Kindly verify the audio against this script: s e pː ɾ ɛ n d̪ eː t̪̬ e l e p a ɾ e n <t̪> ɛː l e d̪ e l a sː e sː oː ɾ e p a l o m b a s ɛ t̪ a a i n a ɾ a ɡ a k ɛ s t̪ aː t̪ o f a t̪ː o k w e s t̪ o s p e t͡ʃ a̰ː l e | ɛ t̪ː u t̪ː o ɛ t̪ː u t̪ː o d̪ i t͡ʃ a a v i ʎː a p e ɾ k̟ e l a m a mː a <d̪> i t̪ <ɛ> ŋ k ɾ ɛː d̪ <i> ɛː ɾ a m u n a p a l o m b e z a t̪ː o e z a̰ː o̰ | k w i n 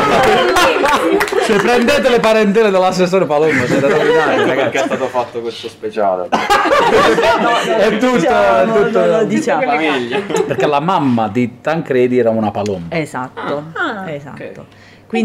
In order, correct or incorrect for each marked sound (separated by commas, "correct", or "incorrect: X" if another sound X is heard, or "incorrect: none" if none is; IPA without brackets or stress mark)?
correct, correct, incorrect: a, correct